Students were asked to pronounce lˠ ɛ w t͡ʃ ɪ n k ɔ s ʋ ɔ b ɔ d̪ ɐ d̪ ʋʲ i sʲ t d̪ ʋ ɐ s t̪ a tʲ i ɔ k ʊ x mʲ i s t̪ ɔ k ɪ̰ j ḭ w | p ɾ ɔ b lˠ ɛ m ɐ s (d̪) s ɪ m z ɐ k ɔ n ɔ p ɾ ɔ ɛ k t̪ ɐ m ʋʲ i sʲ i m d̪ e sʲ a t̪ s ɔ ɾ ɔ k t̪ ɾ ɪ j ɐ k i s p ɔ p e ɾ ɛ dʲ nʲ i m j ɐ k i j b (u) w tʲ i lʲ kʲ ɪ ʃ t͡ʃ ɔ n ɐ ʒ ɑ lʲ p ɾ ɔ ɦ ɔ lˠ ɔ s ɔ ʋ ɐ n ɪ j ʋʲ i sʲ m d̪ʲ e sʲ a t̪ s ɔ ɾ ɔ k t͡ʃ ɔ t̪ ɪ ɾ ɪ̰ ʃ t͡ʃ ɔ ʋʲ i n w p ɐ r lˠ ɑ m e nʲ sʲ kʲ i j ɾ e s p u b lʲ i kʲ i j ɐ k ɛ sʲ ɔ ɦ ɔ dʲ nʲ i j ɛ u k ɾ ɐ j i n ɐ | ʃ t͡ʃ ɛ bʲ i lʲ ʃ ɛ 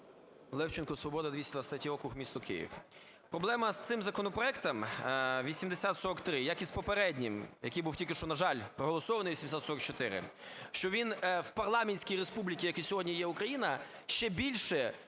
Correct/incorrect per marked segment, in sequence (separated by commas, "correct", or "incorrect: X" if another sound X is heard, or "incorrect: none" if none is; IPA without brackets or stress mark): incorrect: t̪, correct